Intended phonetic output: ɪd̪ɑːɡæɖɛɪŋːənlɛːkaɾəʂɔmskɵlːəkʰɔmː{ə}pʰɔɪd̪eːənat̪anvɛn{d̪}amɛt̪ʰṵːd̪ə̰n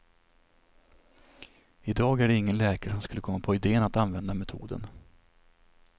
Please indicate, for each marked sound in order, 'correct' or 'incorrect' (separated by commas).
incorrect, correct